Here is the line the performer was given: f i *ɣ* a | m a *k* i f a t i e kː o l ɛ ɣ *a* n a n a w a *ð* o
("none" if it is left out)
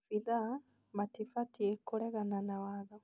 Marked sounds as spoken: ð, t, a, ð

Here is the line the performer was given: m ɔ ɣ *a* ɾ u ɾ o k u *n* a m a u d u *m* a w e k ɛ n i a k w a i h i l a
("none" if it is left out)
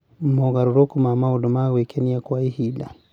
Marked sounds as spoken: a, m, m

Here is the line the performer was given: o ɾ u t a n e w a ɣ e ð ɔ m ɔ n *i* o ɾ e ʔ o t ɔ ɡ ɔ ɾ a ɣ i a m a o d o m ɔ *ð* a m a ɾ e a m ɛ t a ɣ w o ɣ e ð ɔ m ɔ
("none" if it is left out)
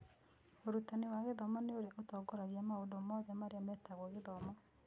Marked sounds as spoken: e, ð

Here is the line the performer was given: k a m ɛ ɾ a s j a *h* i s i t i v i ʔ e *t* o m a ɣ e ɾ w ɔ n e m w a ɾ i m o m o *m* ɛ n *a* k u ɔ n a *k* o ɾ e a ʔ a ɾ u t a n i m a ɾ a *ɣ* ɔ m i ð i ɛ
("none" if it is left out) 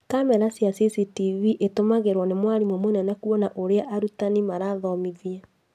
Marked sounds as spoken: s, t, n, ɛ, ʔ, ð

